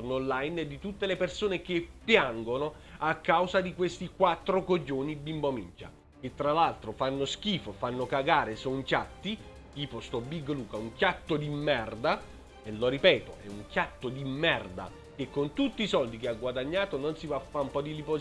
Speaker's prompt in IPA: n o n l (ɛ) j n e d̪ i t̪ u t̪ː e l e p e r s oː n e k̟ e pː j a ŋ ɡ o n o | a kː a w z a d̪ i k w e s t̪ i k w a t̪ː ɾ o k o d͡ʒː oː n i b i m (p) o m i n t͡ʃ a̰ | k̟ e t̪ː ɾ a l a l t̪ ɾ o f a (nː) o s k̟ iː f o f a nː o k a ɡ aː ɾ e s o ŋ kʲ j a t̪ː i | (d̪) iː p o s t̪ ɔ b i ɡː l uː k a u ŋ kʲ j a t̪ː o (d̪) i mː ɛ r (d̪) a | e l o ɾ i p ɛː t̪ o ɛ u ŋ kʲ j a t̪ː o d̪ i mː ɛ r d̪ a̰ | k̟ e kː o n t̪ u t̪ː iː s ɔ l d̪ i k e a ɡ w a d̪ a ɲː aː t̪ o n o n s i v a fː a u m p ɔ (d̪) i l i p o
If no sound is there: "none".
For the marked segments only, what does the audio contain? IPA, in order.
a, b, nː, t̪, d̪, d̪, d̪

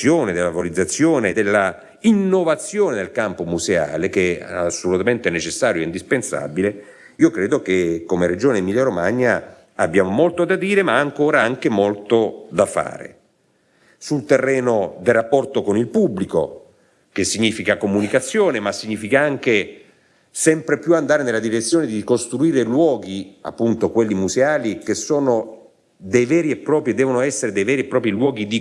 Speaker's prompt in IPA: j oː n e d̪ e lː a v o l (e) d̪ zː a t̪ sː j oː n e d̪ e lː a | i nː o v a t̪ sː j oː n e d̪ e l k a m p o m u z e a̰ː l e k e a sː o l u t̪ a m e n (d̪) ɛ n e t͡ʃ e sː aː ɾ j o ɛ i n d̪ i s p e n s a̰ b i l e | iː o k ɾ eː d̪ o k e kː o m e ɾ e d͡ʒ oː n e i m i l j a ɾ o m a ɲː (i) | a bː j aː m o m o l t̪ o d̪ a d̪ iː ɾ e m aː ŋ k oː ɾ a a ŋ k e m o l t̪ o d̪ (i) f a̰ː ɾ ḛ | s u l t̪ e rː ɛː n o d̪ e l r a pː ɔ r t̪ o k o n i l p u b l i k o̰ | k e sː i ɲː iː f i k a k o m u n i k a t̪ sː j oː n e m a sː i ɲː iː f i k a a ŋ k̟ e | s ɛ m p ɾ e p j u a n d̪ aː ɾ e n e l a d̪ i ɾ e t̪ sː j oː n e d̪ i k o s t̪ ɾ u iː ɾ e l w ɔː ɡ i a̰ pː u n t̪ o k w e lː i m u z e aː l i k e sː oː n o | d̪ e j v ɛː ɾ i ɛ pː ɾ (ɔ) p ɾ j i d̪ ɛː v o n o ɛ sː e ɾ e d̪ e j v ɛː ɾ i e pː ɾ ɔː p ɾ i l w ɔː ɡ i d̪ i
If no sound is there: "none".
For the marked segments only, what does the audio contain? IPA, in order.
i, t̪, a, a, ɔː

